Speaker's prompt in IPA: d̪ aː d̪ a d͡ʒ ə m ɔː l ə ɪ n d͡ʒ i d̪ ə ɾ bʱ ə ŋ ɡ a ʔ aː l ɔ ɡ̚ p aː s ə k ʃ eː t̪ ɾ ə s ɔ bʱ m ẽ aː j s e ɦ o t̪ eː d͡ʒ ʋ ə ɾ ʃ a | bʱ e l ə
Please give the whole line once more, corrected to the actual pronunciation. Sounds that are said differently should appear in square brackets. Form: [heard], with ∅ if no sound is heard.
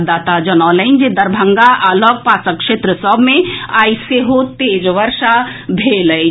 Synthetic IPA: d̪ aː [t̪] a d͡ʒ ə [n] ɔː l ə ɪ n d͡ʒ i d̪ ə ɾ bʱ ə ŋ ɡ a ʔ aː l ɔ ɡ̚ p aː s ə k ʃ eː t̪ ɾ ə s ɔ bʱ m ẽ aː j s e ɦ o t̪ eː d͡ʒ ʋ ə ɾ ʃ a | bʱ e l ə